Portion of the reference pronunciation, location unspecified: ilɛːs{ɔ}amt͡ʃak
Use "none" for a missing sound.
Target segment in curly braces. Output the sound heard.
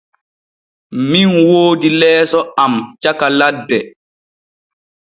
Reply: ɔ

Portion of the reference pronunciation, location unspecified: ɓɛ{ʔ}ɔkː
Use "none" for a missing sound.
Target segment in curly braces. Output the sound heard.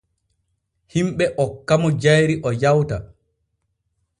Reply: ʔ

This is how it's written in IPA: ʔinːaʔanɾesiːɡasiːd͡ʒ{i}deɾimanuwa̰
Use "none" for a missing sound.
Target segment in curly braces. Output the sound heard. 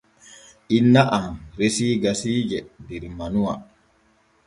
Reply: ɛ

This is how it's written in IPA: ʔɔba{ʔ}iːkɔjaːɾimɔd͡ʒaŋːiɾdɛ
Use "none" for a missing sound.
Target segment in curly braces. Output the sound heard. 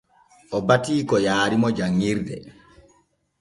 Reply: t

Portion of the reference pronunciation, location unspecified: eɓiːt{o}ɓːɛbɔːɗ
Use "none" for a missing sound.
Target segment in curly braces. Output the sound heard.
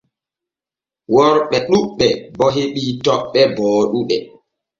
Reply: ɔ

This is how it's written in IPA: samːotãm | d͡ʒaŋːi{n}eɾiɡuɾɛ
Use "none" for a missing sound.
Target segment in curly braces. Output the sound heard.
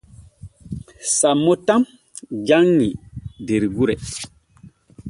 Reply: d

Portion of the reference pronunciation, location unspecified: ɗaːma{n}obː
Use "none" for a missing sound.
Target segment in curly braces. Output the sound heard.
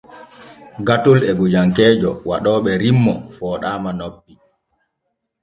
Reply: n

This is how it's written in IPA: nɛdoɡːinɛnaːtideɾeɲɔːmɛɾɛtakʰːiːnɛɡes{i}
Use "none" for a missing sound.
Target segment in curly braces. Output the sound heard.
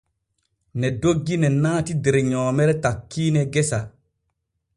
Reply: a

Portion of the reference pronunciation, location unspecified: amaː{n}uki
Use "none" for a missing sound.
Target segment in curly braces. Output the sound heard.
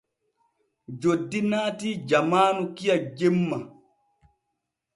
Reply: n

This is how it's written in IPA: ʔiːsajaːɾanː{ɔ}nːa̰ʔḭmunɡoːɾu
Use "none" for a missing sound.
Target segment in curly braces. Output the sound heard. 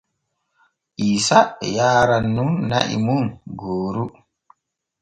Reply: u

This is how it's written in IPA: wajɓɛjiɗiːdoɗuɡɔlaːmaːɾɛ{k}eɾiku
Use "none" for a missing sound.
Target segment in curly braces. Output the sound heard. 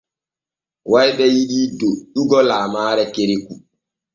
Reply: k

